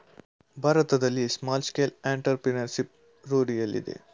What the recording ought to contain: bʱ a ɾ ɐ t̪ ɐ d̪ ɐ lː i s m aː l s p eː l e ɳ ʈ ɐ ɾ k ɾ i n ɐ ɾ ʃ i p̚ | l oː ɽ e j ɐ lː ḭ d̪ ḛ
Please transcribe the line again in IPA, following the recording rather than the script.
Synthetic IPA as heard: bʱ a ɾ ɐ t̪ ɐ d̪ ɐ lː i s m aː l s k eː l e ɳ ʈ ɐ ɾ p ɾ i n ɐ ɾ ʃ i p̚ | ɾ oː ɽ i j ɐ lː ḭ d̪ ḛ

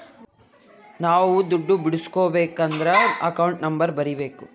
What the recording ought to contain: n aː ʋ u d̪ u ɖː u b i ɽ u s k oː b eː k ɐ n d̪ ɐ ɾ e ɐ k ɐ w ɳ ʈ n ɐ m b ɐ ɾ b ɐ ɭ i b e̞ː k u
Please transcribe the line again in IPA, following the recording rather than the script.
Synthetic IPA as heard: n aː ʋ u d̪ u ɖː u b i ɽ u s k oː b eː k ɐ n d̪ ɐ ɾ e ɐ k ɐ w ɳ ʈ n ɐ m b ɐ ɾ b ɐ ɾ i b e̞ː k u

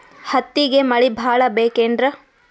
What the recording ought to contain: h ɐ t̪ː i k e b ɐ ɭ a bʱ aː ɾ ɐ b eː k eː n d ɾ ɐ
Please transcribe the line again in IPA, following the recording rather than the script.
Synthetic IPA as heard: h ɐ t̪ː i ɡ e m ɐ ɭ i bʱ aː ɭ ɐ b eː k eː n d ɾ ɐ

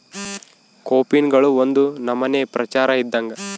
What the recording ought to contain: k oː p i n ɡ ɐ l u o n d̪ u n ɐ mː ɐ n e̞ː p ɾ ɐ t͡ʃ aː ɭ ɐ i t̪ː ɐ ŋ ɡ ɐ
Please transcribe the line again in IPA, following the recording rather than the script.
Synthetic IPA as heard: k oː p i n ɡ ɐ ɭ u o n d̪ u n ɐ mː ɐ n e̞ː p ɾ ɐ t͡ʃ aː ɾ ɐ i d̪ː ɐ ŋ ɡ ɐ

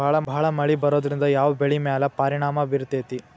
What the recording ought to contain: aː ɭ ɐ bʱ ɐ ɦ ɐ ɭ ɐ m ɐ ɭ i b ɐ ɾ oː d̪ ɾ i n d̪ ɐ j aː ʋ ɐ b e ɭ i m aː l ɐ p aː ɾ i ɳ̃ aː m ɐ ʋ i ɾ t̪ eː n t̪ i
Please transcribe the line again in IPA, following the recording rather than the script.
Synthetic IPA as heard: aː ɭ ɐ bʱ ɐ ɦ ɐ ɭ ɐ m ɐ ɭ i b ɐ ɾ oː d̪ ɾ i n d̪ ɐ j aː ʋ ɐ b e ɭ i m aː l ɐ p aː ɾ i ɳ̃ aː m ɐ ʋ i ɾ t̪ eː t̪ i

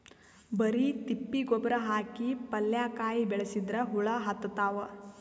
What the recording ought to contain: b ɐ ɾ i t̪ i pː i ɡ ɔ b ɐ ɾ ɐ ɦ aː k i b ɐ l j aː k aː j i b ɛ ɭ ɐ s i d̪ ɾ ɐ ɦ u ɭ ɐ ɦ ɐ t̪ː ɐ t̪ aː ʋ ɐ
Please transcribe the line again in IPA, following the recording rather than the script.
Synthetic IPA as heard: b ɐ ɾ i t̪ i pː i ɡ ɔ b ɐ ɾ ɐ ɦ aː k i p ɐ l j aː k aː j i b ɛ ɭ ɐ s i d̪ ɾ ɐ ɦ u ɭ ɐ ɦ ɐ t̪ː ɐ t̪ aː ʋ ɐ

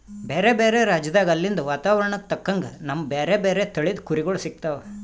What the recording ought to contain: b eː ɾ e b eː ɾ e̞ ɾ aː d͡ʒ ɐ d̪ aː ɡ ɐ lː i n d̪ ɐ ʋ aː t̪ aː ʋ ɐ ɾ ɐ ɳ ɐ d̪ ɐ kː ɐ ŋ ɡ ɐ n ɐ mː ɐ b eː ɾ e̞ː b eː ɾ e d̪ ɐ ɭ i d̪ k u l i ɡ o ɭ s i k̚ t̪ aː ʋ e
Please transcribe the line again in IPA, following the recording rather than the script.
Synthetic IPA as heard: b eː ɾ e b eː ɾ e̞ ɾ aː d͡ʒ ɐ d̪ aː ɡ ɐ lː i n d̪ ɐ ʋ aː t̪ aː ʋ ɐ ɾ ɐ ɳ ɐ t̪ ɐ kː ɐ ŋ ɡ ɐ n ɐ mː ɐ b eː ɾ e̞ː b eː ɾ e t̪ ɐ ɭ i d̪ k u ɾ i ɡ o ɭ s i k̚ t̪ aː ʋ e

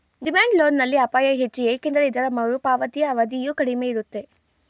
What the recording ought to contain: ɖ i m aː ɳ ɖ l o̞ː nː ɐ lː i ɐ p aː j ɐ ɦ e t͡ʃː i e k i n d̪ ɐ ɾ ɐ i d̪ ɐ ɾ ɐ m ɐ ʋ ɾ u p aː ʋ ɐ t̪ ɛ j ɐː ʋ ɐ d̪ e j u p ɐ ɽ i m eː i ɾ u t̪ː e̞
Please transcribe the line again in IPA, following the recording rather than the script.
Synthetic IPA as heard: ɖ i m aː ɳ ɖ l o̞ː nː ɐ lː i ɐ p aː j ɐ ɦ e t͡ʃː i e k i n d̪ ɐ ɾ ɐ i d̪ ɐ ɾ ɐ m ɐ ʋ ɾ u p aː ʋ ɐ t̪ i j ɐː ʋ ɐ d̪ i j u k ɐ ɽ i m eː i ɾ u t̪ː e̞

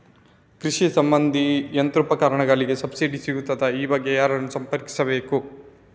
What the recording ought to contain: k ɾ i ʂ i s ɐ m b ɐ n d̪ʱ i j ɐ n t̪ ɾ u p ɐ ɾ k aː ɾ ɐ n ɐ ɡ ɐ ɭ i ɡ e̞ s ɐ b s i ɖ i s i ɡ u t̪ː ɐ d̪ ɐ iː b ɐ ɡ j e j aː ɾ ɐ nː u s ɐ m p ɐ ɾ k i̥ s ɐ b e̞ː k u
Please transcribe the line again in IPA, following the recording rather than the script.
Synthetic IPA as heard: k ɾ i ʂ i s ɐ m b ɐ n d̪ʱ i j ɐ n t̪ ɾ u p ɐ k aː ɾ ɐ ɳ ɐ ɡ ɐ ɭ i ɡ e̞ s ɐ b s i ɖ i s i ɡ u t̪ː ɐ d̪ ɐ iː b ɐ ɡ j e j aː ɾ ɐ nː u s ɐ m p ɐ ɾ k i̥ s ɐ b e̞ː k u

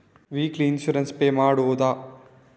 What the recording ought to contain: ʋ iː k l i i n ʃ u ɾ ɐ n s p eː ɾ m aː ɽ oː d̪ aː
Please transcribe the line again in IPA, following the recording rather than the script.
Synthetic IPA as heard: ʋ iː k l i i n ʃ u ɾ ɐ n s p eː m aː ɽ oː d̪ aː

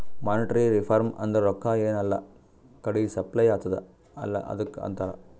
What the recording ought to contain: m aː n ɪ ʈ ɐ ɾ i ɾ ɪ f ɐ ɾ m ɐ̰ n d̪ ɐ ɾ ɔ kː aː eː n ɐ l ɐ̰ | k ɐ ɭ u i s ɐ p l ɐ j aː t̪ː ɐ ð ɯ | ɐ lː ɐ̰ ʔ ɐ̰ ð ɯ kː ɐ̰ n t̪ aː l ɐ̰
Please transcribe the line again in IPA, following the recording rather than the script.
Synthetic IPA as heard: m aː n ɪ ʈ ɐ ɾ i ɾ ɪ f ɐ ɾ m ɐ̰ n d̪ ɐ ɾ ɔ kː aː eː n ɐ lː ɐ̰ | k ɐ ɽ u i s ɐ p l ɐ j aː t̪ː ɐ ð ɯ | ɐ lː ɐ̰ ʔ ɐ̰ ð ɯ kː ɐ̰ n t̪ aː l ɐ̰

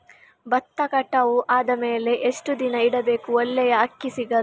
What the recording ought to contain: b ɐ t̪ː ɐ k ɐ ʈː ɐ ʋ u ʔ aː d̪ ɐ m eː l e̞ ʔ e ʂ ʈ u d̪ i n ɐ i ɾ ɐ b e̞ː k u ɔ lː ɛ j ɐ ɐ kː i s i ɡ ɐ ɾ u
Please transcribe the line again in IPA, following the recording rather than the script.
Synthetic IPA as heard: b ɐ t̪ː ɐ k ɐ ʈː ɐ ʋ u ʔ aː d̪ ɐ m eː l e̞ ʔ e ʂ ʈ u d̪ i n ɐ i ɽ ɐ b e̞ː k u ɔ lː ɛ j ɐ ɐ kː i s i ɡ ɐ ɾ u

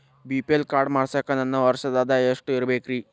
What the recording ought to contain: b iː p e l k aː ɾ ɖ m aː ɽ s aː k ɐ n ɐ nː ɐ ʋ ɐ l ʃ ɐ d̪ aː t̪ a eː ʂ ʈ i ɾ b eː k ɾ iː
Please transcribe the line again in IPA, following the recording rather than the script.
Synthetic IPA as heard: b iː p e l k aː ɾ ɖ m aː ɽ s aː k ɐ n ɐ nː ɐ ʋ ɐ ɾ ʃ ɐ d̪ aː d̪ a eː ʂ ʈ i ɾ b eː k ɾ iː

